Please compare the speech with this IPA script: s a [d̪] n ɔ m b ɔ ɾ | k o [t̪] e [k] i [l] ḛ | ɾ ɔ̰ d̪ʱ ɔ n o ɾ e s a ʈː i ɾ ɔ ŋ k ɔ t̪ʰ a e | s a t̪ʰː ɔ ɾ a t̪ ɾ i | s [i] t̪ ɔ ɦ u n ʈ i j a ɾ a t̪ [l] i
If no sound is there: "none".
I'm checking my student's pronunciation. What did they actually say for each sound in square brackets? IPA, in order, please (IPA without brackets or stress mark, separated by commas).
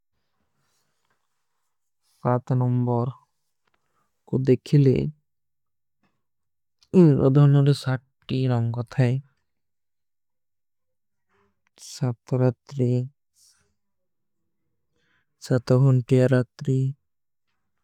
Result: t̪, d̪, kʰ, l, a, ɾ